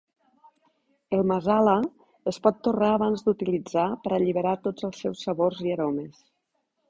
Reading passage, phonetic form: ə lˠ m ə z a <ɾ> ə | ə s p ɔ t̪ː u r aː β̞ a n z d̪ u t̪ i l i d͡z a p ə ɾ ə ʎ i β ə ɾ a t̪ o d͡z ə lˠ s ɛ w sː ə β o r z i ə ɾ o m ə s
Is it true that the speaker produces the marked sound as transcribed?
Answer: no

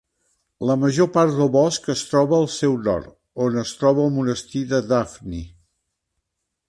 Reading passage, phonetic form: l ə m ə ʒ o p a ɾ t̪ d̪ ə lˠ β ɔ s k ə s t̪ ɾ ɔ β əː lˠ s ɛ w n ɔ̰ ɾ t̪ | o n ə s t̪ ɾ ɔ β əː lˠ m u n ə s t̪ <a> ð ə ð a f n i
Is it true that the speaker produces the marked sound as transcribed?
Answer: no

